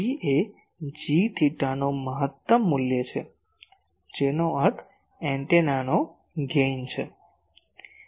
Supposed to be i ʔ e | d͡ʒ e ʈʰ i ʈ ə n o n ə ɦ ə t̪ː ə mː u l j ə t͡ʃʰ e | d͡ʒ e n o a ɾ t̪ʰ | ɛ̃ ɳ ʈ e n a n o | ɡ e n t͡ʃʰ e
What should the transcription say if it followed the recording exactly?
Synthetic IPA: i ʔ e | d͡ʒ i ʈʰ i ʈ a n o m ə ɦ ə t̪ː ə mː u l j ə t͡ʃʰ e | d͡ʒ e n o ə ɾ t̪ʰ | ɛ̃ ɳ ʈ e n a n o | ɡ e n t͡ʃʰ e